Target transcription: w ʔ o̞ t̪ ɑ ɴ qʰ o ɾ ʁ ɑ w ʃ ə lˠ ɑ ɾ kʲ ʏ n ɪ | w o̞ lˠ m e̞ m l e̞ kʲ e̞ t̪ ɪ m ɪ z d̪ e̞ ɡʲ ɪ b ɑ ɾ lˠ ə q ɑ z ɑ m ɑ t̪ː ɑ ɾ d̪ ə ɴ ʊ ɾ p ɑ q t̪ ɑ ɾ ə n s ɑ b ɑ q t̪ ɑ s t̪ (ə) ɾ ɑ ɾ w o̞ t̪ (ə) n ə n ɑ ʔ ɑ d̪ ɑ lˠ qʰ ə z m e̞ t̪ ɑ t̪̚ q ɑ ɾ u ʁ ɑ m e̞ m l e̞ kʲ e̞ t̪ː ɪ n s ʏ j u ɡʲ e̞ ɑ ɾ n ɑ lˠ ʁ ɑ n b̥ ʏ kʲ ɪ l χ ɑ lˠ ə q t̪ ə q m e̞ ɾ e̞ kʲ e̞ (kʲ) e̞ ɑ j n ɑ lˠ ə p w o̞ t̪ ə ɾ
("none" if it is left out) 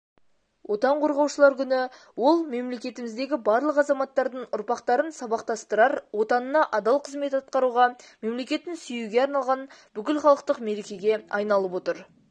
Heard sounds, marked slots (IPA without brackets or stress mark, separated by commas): ə, ɑ, ɡʲ